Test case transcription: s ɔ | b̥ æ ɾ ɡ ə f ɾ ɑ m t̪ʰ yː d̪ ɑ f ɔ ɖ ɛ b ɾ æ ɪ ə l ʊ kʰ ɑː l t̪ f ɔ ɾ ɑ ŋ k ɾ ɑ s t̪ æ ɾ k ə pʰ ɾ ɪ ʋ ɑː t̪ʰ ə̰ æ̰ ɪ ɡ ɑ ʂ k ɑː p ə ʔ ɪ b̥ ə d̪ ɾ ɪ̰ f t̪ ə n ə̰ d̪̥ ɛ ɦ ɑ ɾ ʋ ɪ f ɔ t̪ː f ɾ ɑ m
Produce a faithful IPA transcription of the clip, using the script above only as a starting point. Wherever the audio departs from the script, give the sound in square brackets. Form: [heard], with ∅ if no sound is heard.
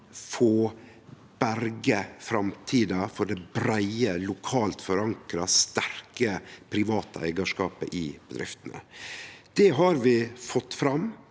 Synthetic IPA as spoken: [f] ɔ | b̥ æ ɾ ɡ ə f ɾ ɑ m t̪ʰ [iː] d̪ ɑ f ɔ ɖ ɛ b ɾ æ ɪ ə l ʊ kʰ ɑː l t̪ f ɔ ɾ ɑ ŋ k ɾ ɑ s t̪ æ ɾ k ə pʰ ɾ ɪ ʋ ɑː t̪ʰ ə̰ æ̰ ɪ ɡ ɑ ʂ k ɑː p ə ʔ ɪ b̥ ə d̪ ɾ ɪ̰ f t̪ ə n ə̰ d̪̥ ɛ ɦ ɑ ɾ ʋ ɪ f ɔ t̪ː f ɾ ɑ m